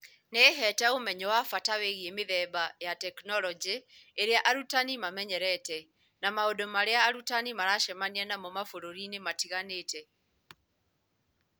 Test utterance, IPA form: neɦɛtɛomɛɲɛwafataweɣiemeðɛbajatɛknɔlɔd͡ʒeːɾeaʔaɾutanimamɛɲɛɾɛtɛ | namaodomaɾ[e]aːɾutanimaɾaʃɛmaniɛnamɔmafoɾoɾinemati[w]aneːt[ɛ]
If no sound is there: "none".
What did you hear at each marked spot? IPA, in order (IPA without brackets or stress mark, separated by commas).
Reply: e, ɣ, ɛ